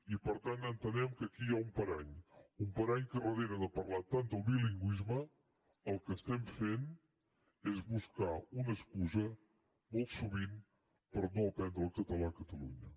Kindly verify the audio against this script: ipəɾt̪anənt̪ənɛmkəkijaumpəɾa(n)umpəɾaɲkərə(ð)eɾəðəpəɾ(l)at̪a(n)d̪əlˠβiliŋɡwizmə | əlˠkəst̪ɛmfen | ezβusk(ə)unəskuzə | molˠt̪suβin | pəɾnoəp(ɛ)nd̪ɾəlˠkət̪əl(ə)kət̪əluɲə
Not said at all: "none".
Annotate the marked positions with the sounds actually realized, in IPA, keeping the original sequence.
ɲ, ð, l, n, a, ɛ, a

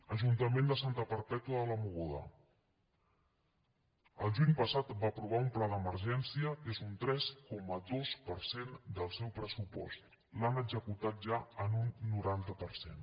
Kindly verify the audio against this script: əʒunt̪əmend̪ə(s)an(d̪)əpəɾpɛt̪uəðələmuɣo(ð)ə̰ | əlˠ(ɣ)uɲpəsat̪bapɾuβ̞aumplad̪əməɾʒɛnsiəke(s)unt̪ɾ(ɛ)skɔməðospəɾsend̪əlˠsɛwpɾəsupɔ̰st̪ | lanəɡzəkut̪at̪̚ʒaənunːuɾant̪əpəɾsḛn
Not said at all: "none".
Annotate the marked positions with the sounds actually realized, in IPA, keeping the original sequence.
s, t̪, ð, ʒ, z, ɛ

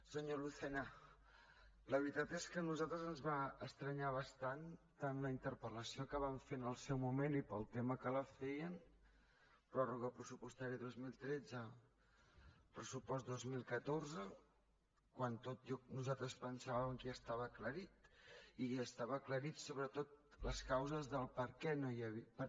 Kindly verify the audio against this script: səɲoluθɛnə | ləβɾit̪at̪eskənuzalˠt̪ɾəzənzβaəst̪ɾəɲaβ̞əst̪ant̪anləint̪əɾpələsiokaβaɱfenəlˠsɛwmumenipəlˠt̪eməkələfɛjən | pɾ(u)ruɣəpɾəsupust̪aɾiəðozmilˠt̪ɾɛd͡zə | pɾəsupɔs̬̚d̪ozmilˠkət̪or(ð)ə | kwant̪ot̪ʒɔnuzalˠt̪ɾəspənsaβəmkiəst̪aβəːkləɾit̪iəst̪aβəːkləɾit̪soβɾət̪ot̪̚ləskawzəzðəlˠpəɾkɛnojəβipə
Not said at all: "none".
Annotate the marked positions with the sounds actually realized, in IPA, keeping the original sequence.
ɔ, z

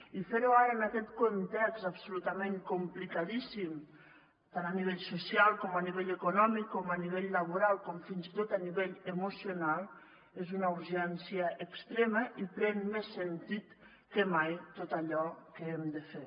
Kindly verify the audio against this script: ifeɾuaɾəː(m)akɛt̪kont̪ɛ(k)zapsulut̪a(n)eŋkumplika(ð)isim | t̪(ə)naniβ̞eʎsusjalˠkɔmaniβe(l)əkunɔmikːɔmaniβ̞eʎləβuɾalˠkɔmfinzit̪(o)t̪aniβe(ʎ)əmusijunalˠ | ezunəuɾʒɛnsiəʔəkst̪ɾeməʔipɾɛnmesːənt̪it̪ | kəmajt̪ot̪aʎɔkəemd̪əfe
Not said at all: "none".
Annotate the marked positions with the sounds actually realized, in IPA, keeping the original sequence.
n, k, m, ð, a, ʎ, o, ʎ

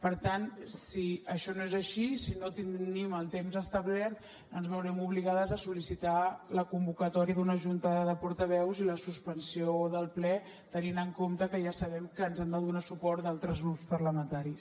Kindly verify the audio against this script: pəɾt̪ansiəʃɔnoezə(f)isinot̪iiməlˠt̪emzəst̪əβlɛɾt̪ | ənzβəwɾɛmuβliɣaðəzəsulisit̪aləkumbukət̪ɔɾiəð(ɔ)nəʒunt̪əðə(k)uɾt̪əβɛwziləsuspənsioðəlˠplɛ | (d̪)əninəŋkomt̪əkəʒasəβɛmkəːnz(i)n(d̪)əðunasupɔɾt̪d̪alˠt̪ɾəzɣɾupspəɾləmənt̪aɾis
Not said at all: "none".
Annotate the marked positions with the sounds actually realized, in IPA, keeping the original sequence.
ʃ, u, p, t̪, ɛ, d̪

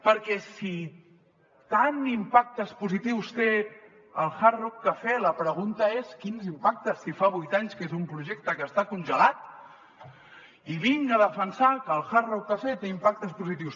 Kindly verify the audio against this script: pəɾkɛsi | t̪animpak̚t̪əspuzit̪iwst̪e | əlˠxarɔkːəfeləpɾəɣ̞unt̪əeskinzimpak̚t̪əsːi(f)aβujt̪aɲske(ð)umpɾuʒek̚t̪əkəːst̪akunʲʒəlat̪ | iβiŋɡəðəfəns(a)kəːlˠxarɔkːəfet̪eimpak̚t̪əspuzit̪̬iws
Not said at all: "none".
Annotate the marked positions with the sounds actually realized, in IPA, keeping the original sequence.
f, z, a

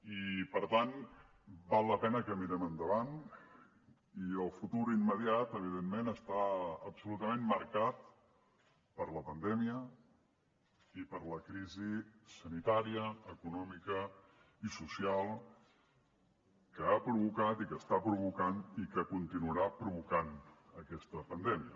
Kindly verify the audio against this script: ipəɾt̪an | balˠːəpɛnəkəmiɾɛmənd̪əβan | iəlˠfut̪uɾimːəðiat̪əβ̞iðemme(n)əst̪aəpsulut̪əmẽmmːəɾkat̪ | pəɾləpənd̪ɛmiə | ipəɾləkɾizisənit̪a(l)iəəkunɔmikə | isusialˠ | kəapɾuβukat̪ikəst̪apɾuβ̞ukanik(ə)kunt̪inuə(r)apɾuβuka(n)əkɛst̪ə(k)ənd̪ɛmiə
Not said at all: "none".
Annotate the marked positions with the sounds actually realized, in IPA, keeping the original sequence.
n, ɾ, ə, ɾ, n, p

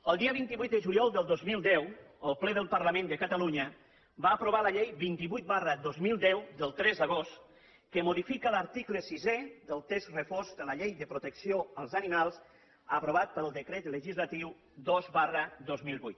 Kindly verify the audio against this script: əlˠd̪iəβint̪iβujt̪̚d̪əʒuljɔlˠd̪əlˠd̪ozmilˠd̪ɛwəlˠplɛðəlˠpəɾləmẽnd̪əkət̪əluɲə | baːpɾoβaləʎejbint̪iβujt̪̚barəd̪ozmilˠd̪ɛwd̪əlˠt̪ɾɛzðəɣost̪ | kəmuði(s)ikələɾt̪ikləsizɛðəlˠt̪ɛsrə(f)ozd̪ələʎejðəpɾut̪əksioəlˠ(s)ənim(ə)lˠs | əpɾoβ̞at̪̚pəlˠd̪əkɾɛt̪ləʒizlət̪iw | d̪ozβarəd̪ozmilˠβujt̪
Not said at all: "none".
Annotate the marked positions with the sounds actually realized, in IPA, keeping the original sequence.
f, f, z, a

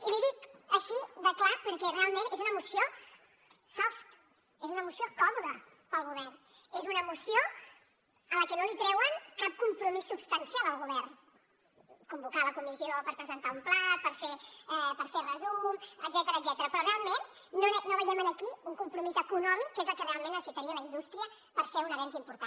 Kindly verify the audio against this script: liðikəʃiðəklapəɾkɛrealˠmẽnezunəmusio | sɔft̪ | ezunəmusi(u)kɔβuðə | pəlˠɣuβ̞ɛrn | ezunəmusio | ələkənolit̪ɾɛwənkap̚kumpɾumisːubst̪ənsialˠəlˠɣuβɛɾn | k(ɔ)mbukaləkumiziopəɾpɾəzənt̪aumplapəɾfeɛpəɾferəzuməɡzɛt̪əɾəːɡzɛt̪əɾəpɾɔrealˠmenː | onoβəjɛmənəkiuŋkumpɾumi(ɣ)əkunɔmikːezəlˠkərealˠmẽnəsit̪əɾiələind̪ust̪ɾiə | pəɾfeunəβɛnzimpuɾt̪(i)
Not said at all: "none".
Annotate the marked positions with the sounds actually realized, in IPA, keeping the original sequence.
o, u, z, a

